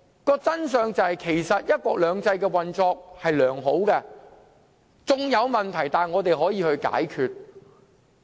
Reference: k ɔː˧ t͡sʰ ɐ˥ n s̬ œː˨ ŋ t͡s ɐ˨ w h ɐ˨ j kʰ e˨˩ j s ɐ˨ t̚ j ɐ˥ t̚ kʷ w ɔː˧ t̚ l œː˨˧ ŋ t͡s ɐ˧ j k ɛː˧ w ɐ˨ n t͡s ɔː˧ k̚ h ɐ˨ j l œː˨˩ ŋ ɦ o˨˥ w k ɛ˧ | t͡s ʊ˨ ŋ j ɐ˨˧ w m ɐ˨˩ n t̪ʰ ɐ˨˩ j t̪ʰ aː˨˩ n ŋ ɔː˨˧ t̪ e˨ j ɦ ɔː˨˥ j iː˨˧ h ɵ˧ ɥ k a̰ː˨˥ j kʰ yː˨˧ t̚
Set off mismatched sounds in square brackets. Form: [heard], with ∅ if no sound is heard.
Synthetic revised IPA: k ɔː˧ [t͡s] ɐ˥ n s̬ œː˨ ŋ t͡s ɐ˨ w h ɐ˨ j kʰ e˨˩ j s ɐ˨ t̚ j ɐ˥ t̚ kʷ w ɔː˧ [k̚] l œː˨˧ ŋ t͡s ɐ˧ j k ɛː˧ w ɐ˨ n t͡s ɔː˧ k̚ h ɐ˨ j l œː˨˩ ŋ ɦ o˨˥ w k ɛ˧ | t͡s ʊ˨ ŋ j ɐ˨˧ w m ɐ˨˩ n t̪ʰ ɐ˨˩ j [t̪] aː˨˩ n ŋ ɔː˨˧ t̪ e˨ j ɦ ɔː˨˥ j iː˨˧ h ɵ˧ ɥ k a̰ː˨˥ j kʰ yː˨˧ t̚